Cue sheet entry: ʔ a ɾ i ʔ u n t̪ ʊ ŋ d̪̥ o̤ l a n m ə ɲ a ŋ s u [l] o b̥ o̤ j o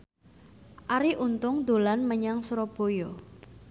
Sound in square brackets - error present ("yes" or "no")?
yes